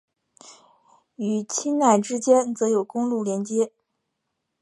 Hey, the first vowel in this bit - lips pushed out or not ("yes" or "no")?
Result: yes